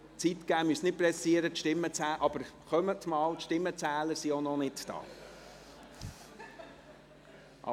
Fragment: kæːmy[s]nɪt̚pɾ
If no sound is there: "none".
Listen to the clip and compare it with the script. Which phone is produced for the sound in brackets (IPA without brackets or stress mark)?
s